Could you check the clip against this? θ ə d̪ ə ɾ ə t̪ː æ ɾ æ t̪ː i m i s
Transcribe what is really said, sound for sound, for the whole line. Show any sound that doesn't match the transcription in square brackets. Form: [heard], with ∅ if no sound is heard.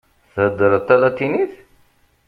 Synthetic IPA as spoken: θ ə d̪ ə ɾ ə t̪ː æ [l] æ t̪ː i [n] i [θ]